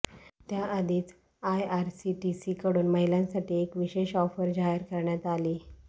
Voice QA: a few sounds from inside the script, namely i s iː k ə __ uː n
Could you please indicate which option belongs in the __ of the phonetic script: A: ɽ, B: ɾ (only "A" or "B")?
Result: A